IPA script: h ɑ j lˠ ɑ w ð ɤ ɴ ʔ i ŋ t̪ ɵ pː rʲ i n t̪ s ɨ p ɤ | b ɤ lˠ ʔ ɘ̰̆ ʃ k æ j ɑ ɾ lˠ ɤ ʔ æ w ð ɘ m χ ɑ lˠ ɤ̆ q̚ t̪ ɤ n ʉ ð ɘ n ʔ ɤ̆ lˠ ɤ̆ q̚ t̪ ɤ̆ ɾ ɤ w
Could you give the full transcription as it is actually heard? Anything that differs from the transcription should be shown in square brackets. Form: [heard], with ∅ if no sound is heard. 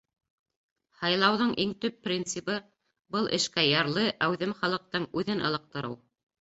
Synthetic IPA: h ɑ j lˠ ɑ w ð ɤ ɴ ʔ i ŋ t̪ ɵ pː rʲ i n t̪ s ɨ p ɤ | b ɤ lˠ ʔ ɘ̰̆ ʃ k æ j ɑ ɾ lˠ ɤ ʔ æ w ð ɘ m χ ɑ lˠ ɤ̆ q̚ t̪ ɤ [ɴ] ʉ ð ɘ n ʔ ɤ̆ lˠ ɤ̆ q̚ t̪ ɤ̆ ɾ ɤ w